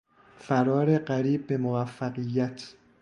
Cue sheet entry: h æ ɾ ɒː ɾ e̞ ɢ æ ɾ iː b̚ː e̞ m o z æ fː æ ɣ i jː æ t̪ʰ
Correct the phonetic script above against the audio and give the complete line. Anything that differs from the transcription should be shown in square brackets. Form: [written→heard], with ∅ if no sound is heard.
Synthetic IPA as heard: [h→f] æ ɾ ɒː ɾ e̞ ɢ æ ɾ iː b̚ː e̞ m o [z→v] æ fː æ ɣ i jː æ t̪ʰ